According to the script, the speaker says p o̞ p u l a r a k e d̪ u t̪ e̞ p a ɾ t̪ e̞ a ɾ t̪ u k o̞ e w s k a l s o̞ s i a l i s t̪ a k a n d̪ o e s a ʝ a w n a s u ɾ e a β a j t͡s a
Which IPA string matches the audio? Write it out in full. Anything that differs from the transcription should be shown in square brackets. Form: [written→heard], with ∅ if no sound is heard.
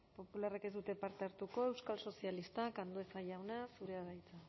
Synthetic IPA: p o̞ p u l a r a k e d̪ u t̪ e̞ p a ɾ t̪ e̞ a ɾ t̪ u k o̞ e w s k a l s o̞ s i a l i s t̪ a k a n d̪ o e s a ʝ a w n a s u ɾ e a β a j t͡s a

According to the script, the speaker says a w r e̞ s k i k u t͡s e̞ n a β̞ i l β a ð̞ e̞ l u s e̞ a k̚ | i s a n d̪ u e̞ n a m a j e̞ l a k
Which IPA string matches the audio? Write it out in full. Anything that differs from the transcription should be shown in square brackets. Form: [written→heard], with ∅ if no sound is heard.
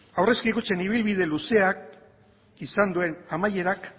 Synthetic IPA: a w r e̞ s k i k u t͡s e̞ n [a→i] β̞ i l β [a→i] ð̞ e̞ l u s e̞ a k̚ | i s a n d̪ u e̞ n a m a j e̞ [l→ɾ] a k

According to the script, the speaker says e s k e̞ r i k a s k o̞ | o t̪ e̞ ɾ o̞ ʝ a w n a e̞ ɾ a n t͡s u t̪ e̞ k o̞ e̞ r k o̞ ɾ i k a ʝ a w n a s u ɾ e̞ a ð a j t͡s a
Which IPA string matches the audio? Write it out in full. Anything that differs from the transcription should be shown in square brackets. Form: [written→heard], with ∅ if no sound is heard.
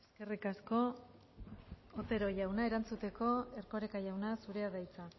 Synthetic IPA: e s k e̞ r i k a s k o̞ | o t̪ e̞ ɾ o̞ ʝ a w n a e̞ ɾ a n t͡s u t̪ e̞ k o̞ e̞ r k o̞ ɾ [i→e] k a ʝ a w n a s u ɾ e̞ a ð a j t͡s a

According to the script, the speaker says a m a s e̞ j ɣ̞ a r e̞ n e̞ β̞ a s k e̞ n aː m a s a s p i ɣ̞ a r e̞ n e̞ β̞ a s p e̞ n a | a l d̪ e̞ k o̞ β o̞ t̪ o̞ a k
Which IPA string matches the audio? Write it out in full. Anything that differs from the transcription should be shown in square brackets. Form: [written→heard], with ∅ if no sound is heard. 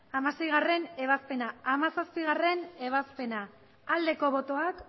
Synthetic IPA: a m a s e̞ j ɣ̞ a r e̞ n e̞ β̞ a s [k→p] e̞ n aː m a s a s p i ɣ̞ a r e̞ n e̞ β̞ a s p e̞ n a | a l d̪ e̞ k o̞ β o̞ t̪ o̞ a k

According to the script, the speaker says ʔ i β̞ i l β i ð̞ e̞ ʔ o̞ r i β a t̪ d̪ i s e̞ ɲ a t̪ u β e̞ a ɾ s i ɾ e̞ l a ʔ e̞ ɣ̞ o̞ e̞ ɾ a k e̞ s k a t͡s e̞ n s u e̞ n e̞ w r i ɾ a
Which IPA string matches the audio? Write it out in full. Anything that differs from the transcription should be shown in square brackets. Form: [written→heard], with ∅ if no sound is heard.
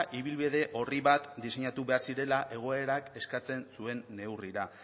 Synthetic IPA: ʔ i β̞ i l β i ð̞ e̞ ʔ o̞ r i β a t̪ d̪ i s e̞ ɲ a t̪ u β e̞ a ɾ s i ɾ e̞ l a ʔ e̞ ɣ̞ o̞ e̞ ɾ a k e̞ s k a t͡s e̞ n s u e̞ [n→nː] e̞ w r i ɾ a

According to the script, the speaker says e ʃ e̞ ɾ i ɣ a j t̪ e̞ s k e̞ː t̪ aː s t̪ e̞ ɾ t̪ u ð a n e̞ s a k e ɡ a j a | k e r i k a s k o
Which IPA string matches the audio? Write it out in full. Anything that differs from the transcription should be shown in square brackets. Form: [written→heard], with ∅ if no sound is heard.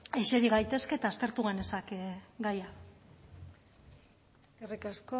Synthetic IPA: e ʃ e̞ ɾ i ɣ a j t̪ e̞ s k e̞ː t̪ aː s t̪ e̞ ɾ t̪ u [ð→ɣ] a n e̞ s a k e ɡ a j a | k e r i k a s k o

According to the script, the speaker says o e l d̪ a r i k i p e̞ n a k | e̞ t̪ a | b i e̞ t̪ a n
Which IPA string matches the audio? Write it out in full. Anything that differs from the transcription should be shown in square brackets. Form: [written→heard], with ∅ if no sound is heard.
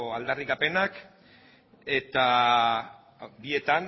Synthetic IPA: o [e→a] l d̪ a r i k [i→a] p e̞ n a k | e̞ t̪ a | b i e̞ t̪ a n

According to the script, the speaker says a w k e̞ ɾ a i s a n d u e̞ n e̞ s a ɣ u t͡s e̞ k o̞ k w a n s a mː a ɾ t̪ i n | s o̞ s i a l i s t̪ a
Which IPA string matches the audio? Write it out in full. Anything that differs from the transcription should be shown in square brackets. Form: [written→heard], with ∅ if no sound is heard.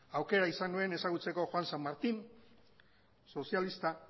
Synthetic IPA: a w k e̞ ɾ a i s a n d u e̞ n e̞ s a ɣ u t͡s e̞ k o̞ [k→x] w a n s a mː a ɾ t̪ i n | s o̞ s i a l i s t̪ a

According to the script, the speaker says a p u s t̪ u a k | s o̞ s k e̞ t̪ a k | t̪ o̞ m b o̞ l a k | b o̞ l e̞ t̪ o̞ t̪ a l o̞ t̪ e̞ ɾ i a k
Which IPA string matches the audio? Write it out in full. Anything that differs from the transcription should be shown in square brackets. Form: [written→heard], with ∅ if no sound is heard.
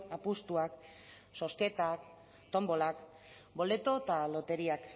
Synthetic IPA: a p u s t̪ u a k | s o̞ s k e̞ t̪ a k | t̪ o̞ m b o̞ l a k | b o̞ l e̞ t̪ o̞ t̪ a l o̞ t̪ e̞ ɾ i a k

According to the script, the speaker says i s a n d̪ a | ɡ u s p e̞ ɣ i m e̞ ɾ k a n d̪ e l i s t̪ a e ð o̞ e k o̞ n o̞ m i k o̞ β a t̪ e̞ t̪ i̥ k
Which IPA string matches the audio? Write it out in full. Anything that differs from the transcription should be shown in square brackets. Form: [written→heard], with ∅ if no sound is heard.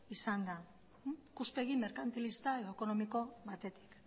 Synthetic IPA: i s a n d̪ a | [ɡ→k] u s p e̞ ɣ i m e̞ ɾ k a n [d̪→t̪] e l i s t̪ a e ð o̞ e k o̞ n o̞ m i k o̞ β a t̪ e̞ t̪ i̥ k

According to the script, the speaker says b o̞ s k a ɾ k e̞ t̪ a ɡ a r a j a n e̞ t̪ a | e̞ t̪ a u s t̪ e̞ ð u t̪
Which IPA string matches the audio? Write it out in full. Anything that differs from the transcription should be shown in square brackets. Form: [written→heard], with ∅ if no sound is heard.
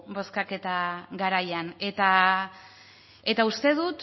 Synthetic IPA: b o̞ s k a [ɾ→∅] k e̞ t̪ a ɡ a [r→ɾ] a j a n e̞ t̪ a | e̞ t̪ a u s t̪ e̞ ð u t̪

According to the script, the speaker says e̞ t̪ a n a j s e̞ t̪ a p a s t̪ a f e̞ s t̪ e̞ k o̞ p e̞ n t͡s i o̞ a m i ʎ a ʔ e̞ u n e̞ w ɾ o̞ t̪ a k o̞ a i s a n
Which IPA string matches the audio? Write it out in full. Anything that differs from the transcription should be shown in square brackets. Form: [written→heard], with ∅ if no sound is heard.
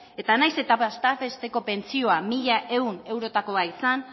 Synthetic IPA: e̞ t̪ a n a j s e̞ t̪ a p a s t̪ a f e̞ s t̪ e̞ k o̞ p e̞ n t͡s i o̞ a m i ʎ a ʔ e̞ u n e̞ w ɾ o̞ t̪ a k o̞ a i s a n

